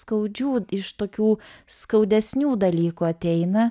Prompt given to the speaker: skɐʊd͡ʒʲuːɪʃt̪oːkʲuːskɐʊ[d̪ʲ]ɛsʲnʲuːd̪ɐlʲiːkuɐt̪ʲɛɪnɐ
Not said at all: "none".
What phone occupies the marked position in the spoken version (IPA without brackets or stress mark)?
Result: d̪ʲ